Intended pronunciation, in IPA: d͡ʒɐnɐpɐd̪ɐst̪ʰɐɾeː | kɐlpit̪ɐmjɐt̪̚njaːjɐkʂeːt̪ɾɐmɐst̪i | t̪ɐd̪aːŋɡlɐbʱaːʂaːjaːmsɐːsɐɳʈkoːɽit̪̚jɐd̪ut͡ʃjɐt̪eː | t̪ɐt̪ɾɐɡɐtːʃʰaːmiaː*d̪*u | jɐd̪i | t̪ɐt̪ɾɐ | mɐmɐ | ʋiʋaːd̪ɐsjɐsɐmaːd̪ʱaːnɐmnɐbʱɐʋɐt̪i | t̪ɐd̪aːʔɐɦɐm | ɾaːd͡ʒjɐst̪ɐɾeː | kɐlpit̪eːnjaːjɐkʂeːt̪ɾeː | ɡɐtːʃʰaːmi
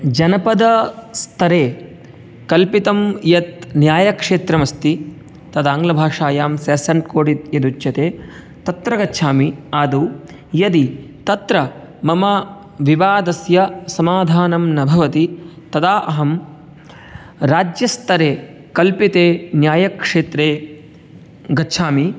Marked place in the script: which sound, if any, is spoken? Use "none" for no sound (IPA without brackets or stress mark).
d̪